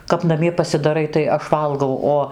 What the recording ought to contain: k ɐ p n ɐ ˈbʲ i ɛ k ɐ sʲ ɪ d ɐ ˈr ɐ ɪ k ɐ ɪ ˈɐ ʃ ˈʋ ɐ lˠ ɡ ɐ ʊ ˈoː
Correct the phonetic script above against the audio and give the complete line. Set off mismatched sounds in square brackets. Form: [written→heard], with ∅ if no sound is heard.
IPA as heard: k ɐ p n ɐ [ˈbʲ→ˈmʲ] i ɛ [k→p] ɐ sʲ ɪ d ɐ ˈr ɐ ɪ [k→t] ɐ ɪ ˈɐ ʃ ˈʋ ɐ lˠ ɡ ɐ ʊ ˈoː